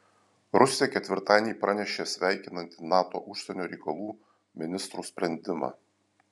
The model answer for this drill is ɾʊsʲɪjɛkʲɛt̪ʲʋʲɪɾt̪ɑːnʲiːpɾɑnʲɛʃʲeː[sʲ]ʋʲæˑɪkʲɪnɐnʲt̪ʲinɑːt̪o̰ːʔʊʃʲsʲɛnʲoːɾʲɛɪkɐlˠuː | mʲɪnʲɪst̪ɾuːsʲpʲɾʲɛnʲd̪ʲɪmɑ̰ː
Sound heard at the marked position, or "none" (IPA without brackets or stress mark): sʲ